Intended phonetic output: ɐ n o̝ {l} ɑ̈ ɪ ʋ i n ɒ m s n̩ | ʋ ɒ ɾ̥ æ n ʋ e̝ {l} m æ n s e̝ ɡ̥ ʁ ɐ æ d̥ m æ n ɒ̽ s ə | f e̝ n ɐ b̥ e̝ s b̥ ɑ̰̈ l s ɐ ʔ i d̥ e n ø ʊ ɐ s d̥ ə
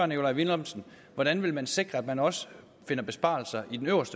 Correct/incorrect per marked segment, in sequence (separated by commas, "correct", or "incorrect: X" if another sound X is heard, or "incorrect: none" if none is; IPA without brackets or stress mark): correct, correct